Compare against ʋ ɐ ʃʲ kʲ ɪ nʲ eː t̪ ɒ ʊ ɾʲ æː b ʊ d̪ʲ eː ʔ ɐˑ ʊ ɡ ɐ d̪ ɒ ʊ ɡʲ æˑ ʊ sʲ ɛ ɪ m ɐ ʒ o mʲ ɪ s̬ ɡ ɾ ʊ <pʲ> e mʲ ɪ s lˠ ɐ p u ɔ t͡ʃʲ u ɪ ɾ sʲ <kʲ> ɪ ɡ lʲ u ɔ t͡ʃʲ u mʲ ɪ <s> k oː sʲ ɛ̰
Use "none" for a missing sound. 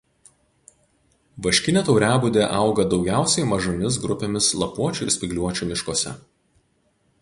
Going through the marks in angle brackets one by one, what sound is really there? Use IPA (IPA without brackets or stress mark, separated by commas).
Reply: pʲ, pʲ, ʃ